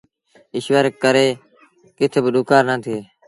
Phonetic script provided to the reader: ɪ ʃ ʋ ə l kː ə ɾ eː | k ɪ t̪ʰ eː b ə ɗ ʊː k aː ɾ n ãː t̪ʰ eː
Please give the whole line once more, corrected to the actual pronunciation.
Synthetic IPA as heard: ɪ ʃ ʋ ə ɾ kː ə ɾ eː | k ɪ t̪ʰ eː b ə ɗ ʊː k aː ɾ n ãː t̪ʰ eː